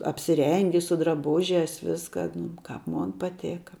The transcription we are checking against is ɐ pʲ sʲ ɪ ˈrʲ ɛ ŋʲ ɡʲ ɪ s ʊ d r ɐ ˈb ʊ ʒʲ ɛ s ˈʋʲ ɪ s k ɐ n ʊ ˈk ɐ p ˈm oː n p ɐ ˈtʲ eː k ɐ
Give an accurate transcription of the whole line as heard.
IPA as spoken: ɐ pʲ sʲ ɪ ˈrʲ ɛ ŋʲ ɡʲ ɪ s ʊ d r ɐ ˈb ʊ ʒʲ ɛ s ˈʋʲ ɪ s k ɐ n ʊ ˈk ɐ p ˈm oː n p ɐ ˈtʲ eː k ɐ